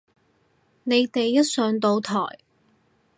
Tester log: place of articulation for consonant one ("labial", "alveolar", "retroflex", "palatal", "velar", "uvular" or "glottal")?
alveolar